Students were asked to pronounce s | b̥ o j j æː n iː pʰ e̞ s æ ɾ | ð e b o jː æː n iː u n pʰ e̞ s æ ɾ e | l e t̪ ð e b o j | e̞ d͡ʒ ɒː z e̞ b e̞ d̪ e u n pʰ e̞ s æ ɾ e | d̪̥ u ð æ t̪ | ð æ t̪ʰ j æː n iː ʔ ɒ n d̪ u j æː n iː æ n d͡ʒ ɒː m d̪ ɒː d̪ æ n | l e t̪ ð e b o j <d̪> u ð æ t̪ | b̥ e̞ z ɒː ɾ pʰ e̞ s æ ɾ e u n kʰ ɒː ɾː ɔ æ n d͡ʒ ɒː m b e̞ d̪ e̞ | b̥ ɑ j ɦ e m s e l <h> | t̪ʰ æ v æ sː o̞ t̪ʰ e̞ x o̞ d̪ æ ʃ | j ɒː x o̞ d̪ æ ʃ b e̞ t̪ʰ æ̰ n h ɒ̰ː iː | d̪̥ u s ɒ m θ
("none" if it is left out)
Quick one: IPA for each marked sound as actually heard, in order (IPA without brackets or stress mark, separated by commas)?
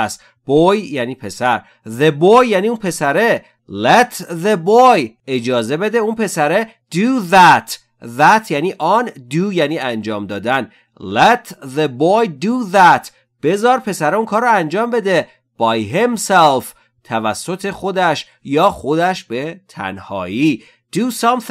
d̪, f